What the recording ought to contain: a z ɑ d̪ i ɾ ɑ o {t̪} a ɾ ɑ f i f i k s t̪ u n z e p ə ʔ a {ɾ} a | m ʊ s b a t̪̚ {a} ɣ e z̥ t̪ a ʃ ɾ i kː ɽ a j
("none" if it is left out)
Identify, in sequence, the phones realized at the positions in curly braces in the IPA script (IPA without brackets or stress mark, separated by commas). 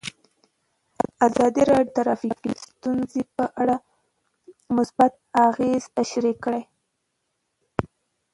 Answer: t̪, ɽ, a